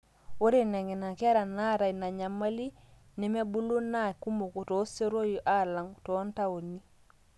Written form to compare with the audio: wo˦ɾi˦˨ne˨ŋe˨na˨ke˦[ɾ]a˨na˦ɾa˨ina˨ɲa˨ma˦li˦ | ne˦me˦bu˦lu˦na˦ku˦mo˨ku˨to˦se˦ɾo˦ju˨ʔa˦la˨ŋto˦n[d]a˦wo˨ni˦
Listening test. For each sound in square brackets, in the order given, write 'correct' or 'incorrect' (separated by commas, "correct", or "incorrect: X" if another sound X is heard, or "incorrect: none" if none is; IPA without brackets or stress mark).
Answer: correct, incorrect: t